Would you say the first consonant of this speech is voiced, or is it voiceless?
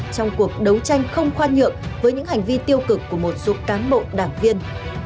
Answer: voiceless